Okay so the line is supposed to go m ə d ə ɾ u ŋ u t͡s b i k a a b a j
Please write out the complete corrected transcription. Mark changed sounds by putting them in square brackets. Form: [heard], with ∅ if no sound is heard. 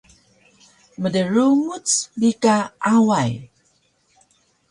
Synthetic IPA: m ə d ə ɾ u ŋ u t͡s b i k a a [w] a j